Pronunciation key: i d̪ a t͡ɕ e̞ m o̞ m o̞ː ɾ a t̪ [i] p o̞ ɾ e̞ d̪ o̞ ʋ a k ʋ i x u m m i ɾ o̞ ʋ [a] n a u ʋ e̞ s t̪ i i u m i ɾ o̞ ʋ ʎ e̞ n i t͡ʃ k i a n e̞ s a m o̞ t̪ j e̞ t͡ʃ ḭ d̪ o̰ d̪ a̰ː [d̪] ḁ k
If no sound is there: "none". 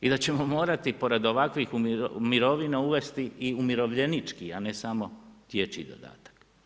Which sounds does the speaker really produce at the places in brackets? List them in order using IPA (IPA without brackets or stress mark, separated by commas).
i, i, t̪